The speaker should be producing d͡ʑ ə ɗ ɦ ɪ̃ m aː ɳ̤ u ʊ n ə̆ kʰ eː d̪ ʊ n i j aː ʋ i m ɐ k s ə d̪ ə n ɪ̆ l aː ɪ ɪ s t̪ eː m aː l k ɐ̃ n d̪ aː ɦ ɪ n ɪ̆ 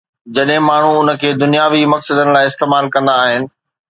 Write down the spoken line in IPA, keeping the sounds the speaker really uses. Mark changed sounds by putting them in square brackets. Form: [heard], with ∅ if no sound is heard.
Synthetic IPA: d͡ʑ [ɐ] ɗ ɦ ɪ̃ m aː ɳ̤ u ʊ n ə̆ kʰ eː d̪ ʊ n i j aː ʋ i m ɐ k s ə d̪ ə n ɪ̆ l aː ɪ ɪ s t̪ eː m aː l k ɐ̃ n d̪ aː ɦ ɪ n ɪ̆